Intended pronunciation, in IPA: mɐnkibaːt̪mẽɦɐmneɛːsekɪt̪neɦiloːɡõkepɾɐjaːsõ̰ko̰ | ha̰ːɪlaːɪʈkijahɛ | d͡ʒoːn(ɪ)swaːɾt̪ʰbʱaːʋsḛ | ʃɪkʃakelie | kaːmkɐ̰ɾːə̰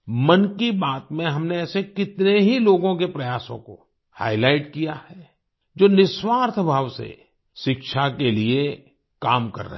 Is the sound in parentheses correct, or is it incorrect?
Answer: correct